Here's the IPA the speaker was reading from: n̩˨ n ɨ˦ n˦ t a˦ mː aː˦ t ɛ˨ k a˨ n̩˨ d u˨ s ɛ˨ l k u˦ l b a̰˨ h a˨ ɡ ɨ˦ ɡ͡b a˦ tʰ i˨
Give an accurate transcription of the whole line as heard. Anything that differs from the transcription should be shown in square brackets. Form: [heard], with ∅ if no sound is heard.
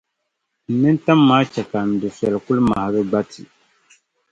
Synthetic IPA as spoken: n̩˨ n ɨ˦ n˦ t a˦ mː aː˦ [t͡ʃ] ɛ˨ k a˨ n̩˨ d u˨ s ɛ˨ l k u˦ l [m] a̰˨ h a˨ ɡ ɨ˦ ɡ͡b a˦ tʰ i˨